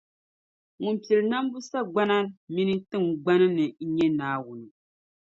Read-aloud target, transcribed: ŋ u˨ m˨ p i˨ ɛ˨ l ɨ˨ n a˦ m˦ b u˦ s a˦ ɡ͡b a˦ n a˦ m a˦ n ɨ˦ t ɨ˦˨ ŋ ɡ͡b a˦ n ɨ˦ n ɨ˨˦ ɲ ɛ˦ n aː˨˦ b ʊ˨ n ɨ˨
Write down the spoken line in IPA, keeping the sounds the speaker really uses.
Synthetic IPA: ŋ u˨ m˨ p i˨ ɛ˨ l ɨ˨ n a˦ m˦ b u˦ s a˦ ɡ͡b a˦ n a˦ m i˦ n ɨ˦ t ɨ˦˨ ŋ ɡ͡b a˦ n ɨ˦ n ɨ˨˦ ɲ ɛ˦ n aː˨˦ w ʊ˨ n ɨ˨

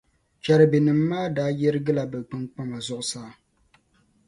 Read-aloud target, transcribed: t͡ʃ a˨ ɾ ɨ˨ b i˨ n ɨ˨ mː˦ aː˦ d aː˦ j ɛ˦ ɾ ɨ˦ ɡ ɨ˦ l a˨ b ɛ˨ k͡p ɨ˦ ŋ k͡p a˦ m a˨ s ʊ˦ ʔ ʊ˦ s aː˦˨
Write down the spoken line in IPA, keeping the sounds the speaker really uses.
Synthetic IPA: t͡ʃ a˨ ɾ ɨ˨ b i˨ n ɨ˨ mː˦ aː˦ d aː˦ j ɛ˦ ɾ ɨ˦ ɡ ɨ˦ l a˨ b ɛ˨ k͡p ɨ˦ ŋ k͡p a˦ m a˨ z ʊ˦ ʔ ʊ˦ s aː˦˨

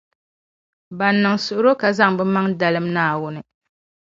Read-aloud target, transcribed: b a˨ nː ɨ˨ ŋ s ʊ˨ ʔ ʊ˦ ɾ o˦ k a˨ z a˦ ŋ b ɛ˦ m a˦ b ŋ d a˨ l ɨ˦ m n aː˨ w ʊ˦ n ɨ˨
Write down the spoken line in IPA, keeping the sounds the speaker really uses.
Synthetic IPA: b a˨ nː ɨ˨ ŋ s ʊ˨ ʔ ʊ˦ ɾ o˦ k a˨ z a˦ ŋ b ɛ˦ m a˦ ŋ d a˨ l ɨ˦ m n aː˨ w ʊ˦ n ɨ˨

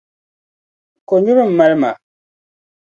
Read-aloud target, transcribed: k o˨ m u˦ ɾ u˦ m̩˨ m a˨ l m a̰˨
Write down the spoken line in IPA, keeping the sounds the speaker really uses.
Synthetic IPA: k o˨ ɲ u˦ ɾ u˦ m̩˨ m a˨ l m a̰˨

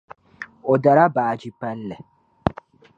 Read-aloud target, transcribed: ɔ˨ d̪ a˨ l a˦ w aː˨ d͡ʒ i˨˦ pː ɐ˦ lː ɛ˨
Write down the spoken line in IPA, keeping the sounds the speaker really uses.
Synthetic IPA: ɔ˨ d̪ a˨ ɾ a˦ b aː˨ d͡ʒ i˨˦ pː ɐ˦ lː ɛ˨

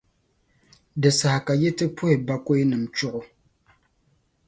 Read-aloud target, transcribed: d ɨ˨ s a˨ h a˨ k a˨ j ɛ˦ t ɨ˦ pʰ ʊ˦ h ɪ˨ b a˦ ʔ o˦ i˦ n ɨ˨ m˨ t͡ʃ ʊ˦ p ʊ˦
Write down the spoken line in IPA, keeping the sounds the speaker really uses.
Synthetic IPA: d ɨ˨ s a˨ h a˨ k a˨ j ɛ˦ t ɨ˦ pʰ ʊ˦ h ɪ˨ b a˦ k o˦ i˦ n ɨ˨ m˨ t͡ʃ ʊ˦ ʔ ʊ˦

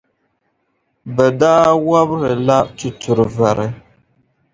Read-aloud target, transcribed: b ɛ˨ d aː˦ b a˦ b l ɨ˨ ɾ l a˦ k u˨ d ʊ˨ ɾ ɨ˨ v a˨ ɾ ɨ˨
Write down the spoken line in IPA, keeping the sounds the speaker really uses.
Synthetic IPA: b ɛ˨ d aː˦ w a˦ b ɾ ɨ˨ l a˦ t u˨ t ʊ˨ ɾ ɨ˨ v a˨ ɾ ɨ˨

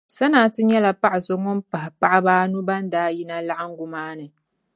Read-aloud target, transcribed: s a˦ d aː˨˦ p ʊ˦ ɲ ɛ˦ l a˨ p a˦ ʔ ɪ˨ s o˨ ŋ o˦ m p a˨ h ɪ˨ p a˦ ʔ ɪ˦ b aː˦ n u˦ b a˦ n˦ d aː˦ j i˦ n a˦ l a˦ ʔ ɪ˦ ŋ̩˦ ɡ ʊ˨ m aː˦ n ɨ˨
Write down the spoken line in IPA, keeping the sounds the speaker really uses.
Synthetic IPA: s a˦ n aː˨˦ t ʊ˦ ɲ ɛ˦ l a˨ p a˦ ʔ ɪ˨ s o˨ ŋ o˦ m p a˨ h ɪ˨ p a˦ ʔ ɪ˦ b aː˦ n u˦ b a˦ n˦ d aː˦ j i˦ n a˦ l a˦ ʔ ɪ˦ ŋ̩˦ ɡ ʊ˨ m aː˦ n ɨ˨

